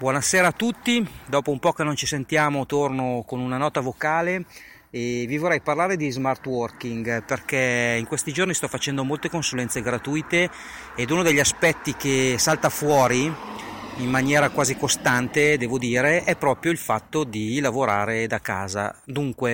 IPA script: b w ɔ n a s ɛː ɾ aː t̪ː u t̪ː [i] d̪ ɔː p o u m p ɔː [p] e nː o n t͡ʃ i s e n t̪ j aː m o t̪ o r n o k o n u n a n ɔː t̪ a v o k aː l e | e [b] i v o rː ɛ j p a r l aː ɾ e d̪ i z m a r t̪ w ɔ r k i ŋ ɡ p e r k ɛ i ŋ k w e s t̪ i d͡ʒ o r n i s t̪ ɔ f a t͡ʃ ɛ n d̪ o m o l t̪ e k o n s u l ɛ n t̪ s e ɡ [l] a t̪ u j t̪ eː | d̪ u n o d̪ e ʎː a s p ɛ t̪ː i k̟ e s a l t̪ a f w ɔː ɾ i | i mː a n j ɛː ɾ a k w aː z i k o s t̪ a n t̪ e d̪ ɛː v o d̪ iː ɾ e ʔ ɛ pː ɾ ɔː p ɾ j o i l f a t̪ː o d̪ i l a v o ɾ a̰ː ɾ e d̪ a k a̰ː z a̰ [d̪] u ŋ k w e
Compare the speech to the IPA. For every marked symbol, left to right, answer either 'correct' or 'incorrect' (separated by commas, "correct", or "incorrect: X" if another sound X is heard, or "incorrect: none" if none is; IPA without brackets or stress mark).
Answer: correct, incorrect: k, incorrect: v, incorrect: ɾ, correct